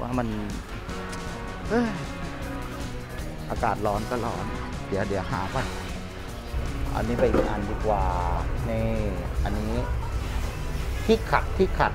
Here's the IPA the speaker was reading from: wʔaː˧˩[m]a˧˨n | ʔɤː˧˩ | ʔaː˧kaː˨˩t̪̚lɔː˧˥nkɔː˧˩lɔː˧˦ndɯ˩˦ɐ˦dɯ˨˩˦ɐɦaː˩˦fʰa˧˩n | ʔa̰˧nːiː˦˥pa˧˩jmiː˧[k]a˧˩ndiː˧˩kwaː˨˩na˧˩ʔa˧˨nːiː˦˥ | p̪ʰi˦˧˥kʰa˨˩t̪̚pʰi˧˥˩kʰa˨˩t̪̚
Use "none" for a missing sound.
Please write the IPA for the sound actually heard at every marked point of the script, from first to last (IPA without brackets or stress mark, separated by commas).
m, ʔ